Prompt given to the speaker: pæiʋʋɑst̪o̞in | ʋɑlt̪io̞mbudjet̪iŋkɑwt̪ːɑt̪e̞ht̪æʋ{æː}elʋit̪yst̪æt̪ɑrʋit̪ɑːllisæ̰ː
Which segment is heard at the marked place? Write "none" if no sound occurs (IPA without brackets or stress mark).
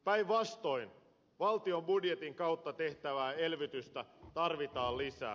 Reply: æː